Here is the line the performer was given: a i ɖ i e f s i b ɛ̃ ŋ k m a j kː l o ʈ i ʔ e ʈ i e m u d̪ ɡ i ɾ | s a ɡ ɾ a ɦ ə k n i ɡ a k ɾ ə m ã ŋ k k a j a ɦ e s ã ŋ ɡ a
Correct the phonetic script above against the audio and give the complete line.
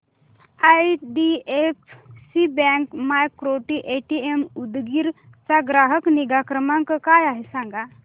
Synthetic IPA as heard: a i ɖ i e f s i b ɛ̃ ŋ k m a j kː ɾ o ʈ i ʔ e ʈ i e m u d̪ ɡ i ɾ | t͡s a ɡ ɾ a ɦ ə k n i ɡ a k ɾ ə m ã ŋ k k a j a ɦ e s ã ŋ ɡ a